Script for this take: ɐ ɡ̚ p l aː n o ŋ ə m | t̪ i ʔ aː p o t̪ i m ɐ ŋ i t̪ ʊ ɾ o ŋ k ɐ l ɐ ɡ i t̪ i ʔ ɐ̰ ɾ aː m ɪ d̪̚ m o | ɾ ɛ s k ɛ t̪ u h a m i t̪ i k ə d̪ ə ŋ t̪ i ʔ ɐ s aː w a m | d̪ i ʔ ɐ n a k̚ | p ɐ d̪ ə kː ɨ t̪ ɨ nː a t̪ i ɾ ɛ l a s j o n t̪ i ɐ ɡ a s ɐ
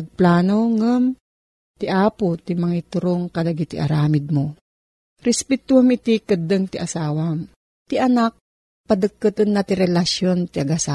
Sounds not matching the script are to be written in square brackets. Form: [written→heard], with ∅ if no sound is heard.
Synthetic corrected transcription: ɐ ɡ̚ p l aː n o ŋ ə m | t̪ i ʔ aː p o t̪ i m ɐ ŋ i t̪ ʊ ɾ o ŋ k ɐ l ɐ ɡ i t̪ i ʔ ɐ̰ ɾ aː m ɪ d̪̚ m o | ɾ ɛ s [k→p] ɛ t̪ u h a m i t̪ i k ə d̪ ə ŋ t̪ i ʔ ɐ s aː w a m | [d̪→t̪] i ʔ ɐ n a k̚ | p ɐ d̪ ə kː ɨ t̪ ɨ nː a t̪ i ɾ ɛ l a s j o n t̪ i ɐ ɡ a s [ɐ→a]